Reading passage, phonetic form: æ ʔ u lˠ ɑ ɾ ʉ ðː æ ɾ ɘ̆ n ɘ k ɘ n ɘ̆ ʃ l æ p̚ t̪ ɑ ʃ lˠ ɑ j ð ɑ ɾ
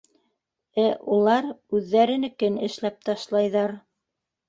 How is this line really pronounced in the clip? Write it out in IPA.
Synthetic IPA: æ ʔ u lˠ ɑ ɾ ʉ ðː æ ɾ ɘ̆ n ɘ k ɘ n ɘ̆ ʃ l æ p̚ t̪ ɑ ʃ lˠ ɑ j ð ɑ ɾ